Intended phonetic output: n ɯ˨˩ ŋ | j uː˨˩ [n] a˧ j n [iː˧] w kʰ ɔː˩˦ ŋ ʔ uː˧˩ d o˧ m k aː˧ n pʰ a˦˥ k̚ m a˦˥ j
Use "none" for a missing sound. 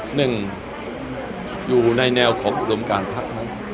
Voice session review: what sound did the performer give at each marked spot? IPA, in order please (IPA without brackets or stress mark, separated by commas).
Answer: n, ɛː˧